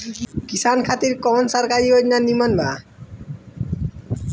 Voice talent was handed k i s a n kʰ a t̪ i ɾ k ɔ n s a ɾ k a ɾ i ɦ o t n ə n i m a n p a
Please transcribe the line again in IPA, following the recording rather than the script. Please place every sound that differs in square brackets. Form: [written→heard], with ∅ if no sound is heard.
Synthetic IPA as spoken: k i s a n kʰ a t̪ i ɾ k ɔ n s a ɾ k a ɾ i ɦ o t n [ə→a] n i m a n [p→b] a